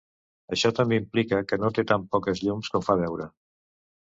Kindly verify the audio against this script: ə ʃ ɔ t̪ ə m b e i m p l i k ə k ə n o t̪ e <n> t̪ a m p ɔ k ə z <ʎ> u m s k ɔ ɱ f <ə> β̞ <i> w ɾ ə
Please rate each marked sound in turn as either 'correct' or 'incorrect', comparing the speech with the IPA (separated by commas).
incorrect, correct, incorrect, incorrect